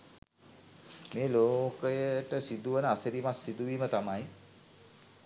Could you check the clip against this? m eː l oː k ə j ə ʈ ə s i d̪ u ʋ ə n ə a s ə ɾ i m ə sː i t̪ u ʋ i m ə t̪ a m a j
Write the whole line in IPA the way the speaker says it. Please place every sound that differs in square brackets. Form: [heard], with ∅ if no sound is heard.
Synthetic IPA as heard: m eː l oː k ə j ə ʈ ə s i d̪ u ʋ ə n ə a s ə ɾ i m [a] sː i [d̪] u ʋ [iː] m ə t̪ a m a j